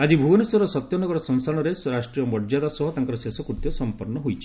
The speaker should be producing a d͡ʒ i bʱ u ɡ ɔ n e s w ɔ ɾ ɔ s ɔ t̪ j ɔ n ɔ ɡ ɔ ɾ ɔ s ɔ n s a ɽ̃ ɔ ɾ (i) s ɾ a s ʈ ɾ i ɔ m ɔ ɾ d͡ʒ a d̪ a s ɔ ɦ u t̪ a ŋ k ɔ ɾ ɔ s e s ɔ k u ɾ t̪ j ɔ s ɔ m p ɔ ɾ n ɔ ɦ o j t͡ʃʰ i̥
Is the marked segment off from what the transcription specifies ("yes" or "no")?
yes